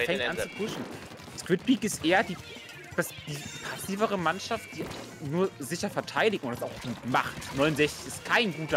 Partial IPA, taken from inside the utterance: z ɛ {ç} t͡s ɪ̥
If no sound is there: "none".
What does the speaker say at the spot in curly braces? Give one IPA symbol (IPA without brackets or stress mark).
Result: ç